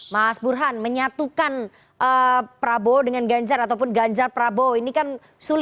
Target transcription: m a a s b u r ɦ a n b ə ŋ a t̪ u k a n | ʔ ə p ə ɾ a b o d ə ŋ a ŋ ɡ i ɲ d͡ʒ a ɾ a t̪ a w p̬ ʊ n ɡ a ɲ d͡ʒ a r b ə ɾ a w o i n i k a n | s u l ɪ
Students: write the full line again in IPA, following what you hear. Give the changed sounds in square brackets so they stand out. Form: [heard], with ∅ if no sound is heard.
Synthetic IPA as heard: m a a s b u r ɦ a n [m] ə [ɲ] a t̪ u k a n | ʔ ə p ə ɾ a b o d ə ŋ a [n] ɡ [a] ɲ d͡ʒ a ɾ a t̪ a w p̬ ʊ n ɡ a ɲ d͡ʒ a r [p] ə ɾ a [b] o i n i k a n | s u l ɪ